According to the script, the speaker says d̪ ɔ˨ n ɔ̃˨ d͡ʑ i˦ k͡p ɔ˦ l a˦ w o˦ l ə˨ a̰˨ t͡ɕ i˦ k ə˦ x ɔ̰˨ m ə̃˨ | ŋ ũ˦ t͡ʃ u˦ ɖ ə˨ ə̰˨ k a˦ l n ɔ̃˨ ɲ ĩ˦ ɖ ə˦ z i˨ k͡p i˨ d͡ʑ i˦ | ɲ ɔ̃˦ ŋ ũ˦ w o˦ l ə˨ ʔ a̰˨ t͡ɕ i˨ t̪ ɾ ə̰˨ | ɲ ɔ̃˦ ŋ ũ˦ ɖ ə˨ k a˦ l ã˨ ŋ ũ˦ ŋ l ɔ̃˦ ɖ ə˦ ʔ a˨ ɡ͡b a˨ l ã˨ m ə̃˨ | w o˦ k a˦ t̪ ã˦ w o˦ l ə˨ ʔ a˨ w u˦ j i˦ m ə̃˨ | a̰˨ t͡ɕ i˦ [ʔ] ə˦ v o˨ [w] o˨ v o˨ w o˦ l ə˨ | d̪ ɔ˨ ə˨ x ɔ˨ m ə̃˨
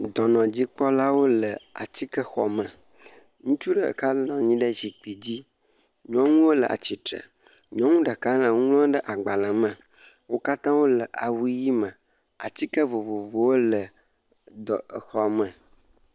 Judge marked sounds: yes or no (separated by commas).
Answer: no, no